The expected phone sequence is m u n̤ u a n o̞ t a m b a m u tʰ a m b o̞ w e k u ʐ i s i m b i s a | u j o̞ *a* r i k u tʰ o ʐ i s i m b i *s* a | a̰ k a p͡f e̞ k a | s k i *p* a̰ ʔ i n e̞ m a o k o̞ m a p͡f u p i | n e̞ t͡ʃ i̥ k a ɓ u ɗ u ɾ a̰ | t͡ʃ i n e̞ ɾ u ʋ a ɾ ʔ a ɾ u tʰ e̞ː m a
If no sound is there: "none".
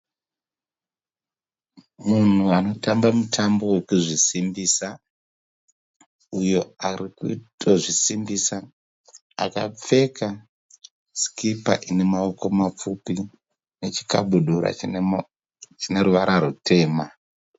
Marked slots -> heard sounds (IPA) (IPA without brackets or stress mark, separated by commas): a, s, p